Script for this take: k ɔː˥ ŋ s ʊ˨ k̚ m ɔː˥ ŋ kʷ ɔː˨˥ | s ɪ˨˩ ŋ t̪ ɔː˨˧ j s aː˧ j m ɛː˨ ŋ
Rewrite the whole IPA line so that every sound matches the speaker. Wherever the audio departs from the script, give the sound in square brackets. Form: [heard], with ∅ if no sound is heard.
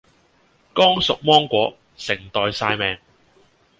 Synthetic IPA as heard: k ɔː˥ ŋ s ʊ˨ k̚ m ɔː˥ ŋ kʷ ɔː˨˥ | s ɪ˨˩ ŋ t̪ ɔː˨˧ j s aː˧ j m ɛː˨ ŋ